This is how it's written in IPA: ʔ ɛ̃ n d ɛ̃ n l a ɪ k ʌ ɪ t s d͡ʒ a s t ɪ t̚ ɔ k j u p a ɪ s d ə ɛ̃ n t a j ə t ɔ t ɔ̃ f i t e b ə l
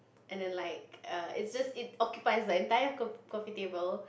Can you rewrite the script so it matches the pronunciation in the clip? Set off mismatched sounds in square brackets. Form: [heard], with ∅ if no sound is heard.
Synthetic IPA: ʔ ɛ̃ n d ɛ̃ n l a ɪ k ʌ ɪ t s d͡ʒ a s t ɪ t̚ ɔ k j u p a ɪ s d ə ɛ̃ n t a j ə [k] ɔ [k] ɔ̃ f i t e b ə l